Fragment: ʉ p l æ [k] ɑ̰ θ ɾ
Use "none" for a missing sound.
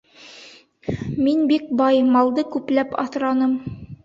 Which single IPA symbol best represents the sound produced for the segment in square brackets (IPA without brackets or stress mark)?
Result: p